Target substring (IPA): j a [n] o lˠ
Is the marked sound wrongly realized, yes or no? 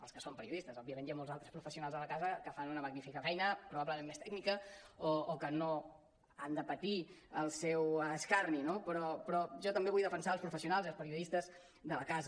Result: yes